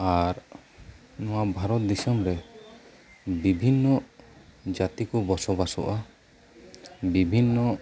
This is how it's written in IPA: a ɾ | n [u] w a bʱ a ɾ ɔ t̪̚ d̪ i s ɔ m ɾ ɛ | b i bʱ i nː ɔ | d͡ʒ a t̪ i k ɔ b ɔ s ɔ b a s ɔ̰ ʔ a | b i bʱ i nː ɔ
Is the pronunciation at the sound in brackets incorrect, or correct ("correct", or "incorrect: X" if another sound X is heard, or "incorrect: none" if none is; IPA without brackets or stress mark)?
incorrect: ɔ